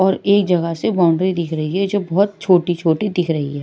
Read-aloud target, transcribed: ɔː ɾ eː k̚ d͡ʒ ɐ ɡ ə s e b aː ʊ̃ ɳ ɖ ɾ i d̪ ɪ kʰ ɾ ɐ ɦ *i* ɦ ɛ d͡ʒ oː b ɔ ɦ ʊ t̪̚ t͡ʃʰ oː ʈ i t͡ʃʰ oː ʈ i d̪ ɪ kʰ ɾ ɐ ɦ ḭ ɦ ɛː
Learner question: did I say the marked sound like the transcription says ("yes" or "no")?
yes